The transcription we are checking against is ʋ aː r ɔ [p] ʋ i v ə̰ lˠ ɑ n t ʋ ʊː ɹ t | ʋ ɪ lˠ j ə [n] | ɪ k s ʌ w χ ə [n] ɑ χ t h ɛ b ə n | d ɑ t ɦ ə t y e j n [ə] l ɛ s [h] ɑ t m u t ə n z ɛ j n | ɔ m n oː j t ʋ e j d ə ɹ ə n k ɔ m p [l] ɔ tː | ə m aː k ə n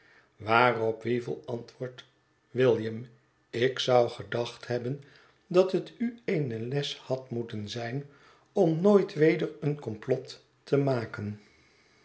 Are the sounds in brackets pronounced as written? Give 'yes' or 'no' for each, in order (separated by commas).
yes, no, no, yes, yes, yes